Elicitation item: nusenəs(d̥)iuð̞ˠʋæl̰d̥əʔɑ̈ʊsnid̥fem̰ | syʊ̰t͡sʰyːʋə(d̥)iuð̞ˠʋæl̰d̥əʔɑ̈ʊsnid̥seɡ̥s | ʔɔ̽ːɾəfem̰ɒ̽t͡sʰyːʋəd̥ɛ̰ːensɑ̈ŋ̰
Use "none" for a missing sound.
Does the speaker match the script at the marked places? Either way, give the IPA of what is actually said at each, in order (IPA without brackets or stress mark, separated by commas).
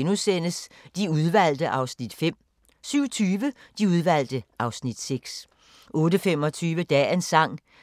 d̥, d̥